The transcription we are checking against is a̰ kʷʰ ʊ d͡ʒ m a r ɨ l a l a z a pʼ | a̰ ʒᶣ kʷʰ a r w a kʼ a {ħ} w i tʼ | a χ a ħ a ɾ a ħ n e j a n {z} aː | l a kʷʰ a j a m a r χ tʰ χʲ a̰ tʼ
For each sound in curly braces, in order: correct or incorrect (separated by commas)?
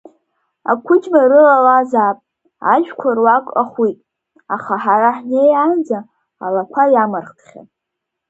incorrect, incorrect